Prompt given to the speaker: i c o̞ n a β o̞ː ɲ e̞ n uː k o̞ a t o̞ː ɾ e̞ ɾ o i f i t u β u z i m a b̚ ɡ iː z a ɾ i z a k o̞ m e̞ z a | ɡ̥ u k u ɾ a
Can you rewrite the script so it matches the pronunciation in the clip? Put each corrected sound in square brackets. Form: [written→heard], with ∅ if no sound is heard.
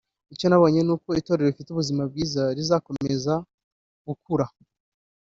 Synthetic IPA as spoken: i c o̞ n a β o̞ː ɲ e̞ n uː k o̞ [a→i] t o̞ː ɾ e̞ ɾ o i f i t u β u z i m a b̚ ɡ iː z a ɾ i z a k o̞ m e̞ z a | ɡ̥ u k u ɾ a